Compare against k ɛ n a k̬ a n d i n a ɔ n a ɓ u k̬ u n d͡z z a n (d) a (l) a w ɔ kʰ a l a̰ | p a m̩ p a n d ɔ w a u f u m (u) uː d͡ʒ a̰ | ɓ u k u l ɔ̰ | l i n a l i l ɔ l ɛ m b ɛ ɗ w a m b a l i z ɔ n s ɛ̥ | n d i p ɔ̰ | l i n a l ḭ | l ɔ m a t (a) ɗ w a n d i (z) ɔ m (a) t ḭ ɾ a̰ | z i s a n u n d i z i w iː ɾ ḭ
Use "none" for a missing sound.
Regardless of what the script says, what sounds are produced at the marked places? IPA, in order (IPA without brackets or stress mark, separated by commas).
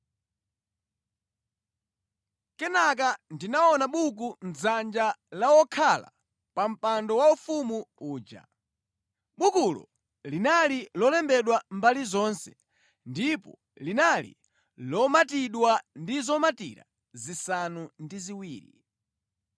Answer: d͡ʒ, l, u, i, z, a